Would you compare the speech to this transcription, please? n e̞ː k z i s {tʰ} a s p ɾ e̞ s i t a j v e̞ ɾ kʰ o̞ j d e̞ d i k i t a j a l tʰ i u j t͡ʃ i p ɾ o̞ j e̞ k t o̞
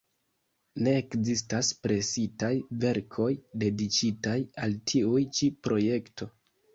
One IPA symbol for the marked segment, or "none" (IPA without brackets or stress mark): t